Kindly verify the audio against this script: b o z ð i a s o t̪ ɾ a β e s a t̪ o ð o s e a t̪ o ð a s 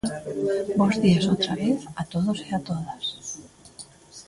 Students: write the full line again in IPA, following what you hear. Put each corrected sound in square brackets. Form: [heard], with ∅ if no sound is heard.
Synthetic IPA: b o z ð i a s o t̪ ɾ a β e [θ] a t̪ o ð o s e a t̪ o ð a s